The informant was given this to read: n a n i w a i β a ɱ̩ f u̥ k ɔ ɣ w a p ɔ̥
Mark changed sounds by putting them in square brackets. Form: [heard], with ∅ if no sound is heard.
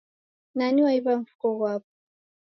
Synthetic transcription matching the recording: n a n i w a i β a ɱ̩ f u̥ k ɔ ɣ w a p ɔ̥

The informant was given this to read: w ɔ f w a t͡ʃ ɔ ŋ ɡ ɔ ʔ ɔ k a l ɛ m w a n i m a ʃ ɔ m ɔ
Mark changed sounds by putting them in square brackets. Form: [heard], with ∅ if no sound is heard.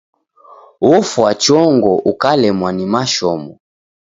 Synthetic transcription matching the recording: w ɔ f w a t͡ʃ ɔ ŋ ɡ ɔ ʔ [u] k a l ɛ m w a n i m a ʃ ɔ m ɔ

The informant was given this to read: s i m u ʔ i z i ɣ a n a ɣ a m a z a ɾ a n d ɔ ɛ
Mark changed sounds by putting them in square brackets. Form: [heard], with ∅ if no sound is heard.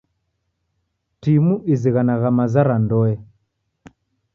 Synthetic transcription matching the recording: [t] i m u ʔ i z i ɣ a n a ɣ a m a z a ɾ a n d ɔ ɛ

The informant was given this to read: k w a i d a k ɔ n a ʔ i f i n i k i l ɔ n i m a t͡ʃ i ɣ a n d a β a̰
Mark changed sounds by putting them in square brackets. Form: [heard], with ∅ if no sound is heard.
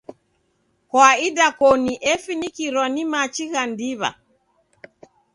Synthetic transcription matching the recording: k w a i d a k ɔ n [i] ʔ [ɛ] f i n i k i [ɾ] ɔ n i m a t͡ʃ i ɣ a n d [i] β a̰

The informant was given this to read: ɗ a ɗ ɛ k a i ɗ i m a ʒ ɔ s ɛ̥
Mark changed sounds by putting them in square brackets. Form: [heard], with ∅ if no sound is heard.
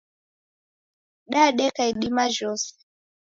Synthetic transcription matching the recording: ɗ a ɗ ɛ k a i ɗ i m a ʒ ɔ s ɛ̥

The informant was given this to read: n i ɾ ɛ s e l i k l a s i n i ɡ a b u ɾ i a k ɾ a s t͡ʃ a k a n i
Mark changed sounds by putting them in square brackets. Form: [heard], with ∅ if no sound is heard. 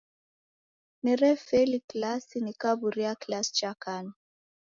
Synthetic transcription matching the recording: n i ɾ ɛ [f] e l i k l a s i n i [k] a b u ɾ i a k [l] a s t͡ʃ a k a n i

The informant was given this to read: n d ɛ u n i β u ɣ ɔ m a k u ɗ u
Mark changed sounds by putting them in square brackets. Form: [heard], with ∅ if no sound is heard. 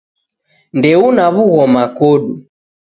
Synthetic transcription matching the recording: n d ɛ u n [a] β u ɣ ɔ m a k [ɔ] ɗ u

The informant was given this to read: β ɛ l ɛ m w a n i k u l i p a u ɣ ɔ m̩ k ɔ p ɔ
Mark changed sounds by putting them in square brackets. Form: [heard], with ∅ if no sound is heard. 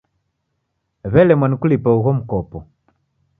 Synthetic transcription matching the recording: β ɛ l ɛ m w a n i k u l i p a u ɣ ɔ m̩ k ɔ p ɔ

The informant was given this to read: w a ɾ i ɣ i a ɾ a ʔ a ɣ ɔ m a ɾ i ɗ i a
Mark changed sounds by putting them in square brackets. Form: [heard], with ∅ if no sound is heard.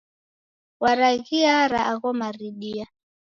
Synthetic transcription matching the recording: w a ɾ [a] ɣ i a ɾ a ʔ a ɣ ɔ m a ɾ i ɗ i a

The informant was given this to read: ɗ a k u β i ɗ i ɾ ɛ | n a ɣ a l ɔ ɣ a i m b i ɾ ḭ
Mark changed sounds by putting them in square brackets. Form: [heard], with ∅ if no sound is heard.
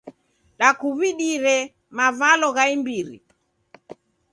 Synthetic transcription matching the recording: ɗ a k u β i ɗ i ɾ ɛ | [m] a [v] a l ɔ ɣ a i m b i ɾ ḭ

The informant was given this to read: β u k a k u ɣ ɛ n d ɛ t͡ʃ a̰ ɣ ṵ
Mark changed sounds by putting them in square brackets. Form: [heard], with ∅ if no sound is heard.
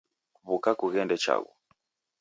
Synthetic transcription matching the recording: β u k a k u ɣ ɛ n d ɛ t͡ʃ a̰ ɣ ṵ

